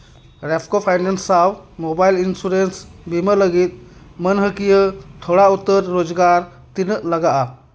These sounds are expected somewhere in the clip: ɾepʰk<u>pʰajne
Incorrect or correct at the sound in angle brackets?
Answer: incorrect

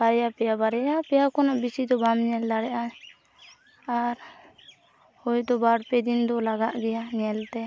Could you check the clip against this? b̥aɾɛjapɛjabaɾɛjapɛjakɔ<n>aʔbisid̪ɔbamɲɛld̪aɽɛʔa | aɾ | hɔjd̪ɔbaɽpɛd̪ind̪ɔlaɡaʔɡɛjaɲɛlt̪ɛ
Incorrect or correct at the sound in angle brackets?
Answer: correct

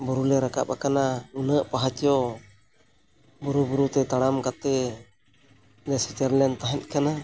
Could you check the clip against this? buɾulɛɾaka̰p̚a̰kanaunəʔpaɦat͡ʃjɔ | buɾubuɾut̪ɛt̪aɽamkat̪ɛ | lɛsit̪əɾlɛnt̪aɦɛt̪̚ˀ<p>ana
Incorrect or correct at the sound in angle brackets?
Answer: incorrect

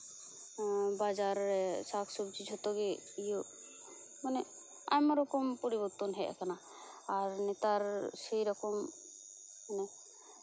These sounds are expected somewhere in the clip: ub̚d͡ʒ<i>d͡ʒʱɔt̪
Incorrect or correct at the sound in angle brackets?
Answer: correct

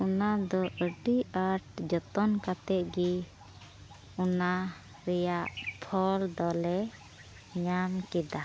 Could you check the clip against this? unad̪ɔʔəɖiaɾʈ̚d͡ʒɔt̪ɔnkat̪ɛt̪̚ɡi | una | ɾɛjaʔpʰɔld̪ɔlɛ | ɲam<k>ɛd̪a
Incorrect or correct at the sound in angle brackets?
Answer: correct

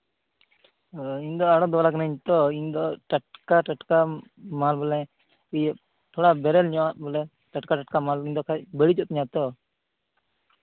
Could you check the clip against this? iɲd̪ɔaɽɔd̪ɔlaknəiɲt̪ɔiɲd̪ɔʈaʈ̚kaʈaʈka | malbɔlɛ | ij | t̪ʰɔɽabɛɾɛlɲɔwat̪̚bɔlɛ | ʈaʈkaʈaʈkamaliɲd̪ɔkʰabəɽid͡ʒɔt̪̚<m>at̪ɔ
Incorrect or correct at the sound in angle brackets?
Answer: incorrect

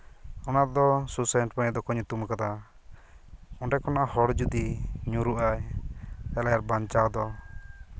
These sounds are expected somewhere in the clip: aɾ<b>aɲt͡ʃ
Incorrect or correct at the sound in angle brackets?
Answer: correct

